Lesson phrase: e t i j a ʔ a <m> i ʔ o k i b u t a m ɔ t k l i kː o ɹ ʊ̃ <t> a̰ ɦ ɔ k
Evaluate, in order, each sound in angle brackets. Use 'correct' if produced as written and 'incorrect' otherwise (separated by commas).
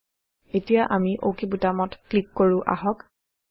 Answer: correct, incorrect